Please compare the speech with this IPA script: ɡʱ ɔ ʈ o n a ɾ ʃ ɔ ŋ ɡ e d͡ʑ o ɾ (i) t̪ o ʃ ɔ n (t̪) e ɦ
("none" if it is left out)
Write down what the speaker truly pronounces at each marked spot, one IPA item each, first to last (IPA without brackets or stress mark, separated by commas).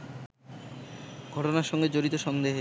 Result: i, d̪